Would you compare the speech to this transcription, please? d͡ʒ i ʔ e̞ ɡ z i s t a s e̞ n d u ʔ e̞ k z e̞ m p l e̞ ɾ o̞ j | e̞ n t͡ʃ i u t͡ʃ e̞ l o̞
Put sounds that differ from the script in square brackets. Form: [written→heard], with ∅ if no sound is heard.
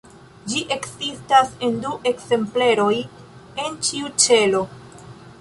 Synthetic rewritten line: d͡ʒ i ʔ e̞ [ɡ→k] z i s t a s e̞ n d u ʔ e̞ k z e̞ m p l e̞ ɾ o̞ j | e̞ n t͡ʃ i u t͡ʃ e̞ l o̞